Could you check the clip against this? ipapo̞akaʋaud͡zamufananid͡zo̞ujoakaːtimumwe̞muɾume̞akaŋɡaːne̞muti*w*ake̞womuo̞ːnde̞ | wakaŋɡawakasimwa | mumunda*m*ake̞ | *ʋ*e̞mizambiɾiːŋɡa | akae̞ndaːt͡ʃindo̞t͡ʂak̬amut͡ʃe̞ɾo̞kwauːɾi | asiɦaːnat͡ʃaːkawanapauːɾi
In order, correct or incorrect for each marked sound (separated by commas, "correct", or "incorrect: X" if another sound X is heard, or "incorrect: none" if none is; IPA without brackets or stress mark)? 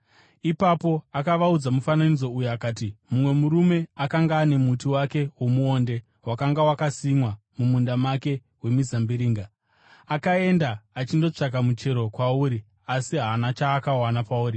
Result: correct, correct, incorrect: w